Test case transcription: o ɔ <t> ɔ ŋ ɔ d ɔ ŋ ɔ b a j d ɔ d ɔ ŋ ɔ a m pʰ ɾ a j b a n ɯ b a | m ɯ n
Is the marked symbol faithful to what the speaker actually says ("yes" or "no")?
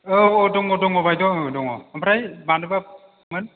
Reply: no